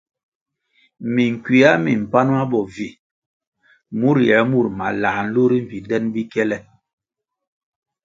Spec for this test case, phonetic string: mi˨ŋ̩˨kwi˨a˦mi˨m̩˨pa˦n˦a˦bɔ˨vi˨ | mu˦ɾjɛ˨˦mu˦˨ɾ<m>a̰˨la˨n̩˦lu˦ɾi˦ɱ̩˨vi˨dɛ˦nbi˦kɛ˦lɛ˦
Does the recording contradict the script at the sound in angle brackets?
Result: no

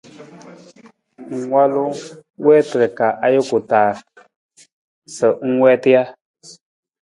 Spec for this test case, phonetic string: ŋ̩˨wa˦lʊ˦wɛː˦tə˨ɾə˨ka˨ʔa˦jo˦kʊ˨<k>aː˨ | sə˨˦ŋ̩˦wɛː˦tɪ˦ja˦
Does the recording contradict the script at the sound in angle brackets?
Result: yes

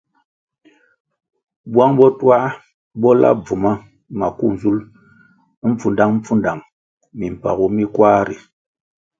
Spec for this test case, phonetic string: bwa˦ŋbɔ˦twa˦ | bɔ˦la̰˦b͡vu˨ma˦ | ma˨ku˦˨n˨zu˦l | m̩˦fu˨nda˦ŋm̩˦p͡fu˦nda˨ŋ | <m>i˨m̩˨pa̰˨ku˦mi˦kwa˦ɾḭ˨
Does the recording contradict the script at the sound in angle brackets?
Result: no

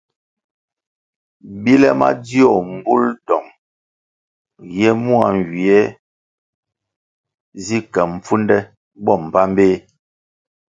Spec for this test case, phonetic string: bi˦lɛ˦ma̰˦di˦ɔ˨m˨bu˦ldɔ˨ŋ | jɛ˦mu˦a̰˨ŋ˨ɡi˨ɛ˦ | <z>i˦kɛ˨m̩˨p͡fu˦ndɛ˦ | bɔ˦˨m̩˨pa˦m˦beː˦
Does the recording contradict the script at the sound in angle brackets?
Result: no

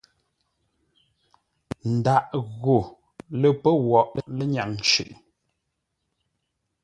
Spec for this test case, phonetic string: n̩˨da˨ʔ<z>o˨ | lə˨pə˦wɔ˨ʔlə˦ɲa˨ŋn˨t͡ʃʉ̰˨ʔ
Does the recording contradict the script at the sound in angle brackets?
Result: yes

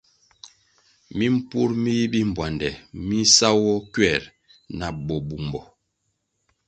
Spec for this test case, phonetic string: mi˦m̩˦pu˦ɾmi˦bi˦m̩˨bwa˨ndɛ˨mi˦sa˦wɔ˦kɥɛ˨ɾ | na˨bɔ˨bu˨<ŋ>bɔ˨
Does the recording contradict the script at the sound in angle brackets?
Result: yes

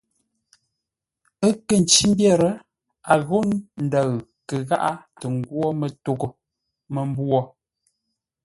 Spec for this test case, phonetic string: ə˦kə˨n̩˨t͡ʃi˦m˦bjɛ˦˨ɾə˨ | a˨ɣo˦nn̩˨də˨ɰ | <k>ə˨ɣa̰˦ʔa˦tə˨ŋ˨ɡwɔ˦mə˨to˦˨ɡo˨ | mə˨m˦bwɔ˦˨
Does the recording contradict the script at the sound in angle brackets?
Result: no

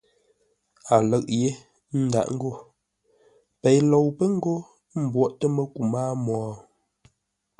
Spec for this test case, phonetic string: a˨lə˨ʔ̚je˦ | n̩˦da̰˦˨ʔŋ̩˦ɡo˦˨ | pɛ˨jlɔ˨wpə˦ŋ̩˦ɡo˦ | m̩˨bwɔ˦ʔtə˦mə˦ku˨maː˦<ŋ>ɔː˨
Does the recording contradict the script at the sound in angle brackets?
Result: yes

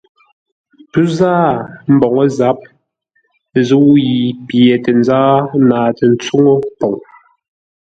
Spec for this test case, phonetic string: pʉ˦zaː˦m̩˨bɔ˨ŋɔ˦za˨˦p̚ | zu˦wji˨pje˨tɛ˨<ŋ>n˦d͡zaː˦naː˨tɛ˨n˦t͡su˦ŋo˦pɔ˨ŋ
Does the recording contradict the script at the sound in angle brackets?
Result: yes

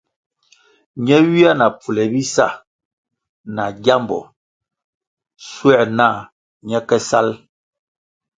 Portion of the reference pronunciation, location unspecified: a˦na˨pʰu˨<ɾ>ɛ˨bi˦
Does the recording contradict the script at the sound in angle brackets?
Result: yes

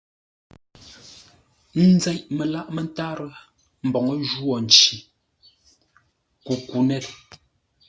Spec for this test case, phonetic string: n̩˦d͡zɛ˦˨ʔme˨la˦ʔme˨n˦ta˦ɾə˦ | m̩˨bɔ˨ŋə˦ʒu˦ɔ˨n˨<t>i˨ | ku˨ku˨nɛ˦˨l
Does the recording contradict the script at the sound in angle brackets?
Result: yes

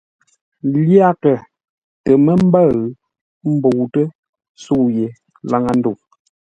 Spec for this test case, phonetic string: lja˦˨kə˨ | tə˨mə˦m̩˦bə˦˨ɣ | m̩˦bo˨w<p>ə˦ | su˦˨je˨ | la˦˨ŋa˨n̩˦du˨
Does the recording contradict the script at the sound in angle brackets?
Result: yes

